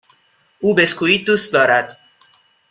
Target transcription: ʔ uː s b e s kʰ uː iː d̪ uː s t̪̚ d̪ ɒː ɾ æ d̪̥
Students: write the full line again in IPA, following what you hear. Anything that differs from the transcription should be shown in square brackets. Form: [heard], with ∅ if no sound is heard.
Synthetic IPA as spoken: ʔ uː [∅] b e s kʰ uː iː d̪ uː s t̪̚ d̪ ɒː ɾ æ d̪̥